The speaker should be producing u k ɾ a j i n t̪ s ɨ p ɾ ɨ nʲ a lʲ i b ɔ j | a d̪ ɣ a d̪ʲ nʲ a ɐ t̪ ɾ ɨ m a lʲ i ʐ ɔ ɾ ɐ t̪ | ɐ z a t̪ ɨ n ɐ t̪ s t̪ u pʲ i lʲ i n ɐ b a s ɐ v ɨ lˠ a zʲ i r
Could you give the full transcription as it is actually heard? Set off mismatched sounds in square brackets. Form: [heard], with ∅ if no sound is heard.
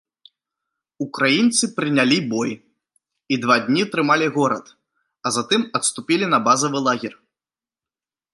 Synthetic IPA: u k ɾ a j i n t̪ s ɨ p ɾ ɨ nʲ a lʲ i b ɔ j | [i] d̪ [v] a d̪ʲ nʲ [i] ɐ t̪ ɾ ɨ m a lʲ i [ɣ] ɔ ɾ ɐ t̪ | ɐ z a t̪ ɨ [m] ɐ t̪ s t̪ u pʲ i lʲ i n ɐ b a [z] ɐ v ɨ lˠ a [ɣʲ] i r